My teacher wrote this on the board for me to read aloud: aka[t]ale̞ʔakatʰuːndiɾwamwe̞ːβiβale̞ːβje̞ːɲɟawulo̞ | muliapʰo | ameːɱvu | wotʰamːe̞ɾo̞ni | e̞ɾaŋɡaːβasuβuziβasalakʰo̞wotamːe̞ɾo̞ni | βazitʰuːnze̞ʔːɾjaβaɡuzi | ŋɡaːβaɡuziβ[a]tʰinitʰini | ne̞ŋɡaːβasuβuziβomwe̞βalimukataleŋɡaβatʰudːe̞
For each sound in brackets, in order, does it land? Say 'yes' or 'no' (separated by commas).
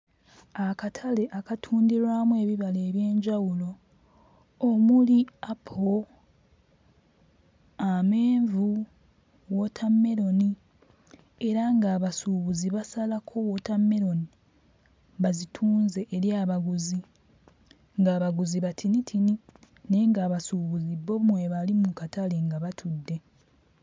no, yes